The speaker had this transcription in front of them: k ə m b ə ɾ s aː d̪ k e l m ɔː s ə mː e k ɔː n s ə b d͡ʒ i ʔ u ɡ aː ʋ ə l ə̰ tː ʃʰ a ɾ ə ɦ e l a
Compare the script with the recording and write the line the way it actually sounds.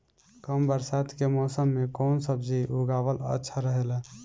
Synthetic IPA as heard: k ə m b ə ɾ s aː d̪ k e m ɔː s ə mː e k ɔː n s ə b d͡ʒ i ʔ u ɡ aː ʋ ə l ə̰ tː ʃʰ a ɾ ə ɦ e l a